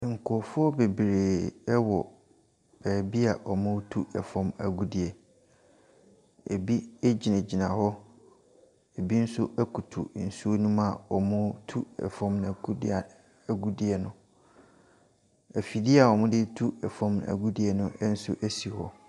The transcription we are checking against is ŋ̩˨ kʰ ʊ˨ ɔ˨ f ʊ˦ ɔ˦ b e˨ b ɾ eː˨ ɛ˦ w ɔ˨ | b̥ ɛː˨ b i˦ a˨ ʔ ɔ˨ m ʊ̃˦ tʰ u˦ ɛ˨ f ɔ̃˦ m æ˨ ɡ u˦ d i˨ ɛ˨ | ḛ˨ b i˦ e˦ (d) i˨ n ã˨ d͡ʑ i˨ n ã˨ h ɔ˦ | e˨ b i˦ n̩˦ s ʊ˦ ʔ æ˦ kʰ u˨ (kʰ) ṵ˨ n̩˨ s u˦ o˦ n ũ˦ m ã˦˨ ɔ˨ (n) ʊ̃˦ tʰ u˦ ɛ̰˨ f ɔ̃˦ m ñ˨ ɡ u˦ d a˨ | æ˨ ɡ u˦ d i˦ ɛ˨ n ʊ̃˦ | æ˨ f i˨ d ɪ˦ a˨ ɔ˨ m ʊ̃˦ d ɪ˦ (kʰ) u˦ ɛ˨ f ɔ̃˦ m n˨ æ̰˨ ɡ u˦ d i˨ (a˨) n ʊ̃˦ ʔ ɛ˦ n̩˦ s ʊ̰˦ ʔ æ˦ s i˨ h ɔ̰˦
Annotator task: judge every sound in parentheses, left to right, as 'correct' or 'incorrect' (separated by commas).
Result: incorrect, incorrect, incorrect, incorrect, incorrect